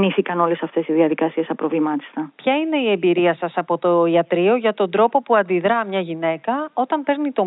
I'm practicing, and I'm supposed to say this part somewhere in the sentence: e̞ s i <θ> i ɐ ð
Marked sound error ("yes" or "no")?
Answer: yes